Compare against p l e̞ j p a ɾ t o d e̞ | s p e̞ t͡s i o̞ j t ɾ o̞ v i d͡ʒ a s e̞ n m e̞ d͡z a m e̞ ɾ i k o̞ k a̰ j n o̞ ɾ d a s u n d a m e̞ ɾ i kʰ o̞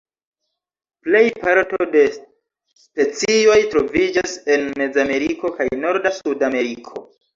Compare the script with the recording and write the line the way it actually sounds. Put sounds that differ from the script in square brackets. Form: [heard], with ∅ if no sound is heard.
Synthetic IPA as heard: p l e̞ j p a ɾ t o d e̞ | s p e̞ t͡s i o̞ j t ɾ o̞ v i d͡ʒ a s e̞ n m e̞ d͡z a m e̞ ɾ i k o̞ k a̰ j n o̞ ɾ d a s u [∅] d a m e̞ ɾ i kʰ o̞